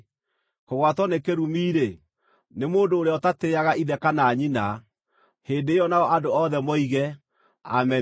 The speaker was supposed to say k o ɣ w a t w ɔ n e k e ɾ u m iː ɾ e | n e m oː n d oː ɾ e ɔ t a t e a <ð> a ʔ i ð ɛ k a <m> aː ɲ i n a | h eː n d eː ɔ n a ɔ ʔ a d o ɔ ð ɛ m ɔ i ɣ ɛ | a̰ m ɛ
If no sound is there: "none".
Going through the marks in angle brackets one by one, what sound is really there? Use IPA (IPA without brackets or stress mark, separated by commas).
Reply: ɣ, n